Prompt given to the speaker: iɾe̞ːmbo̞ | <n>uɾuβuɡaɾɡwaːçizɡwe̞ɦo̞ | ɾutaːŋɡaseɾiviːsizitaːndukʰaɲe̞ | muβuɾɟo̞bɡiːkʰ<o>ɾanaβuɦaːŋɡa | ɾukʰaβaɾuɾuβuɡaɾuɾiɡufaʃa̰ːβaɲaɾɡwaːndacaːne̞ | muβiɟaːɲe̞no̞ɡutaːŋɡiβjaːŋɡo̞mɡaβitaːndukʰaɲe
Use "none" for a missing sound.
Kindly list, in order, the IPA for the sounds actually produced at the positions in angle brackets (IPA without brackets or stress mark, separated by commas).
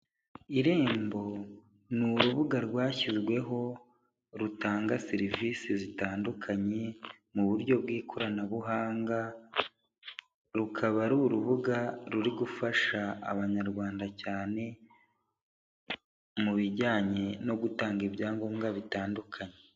n, o